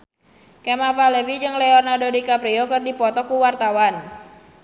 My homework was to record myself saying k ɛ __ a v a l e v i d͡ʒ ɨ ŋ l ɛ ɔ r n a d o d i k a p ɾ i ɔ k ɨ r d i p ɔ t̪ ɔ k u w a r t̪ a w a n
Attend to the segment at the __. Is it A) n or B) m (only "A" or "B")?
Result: B